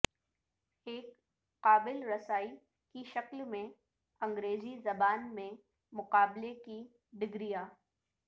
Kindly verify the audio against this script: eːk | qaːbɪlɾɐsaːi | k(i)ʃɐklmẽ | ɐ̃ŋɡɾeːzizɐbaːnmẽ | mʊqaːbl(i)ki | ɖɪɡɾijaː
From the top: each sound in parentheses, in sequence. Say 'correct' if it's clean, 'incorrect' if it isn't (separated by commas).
correct, incorrect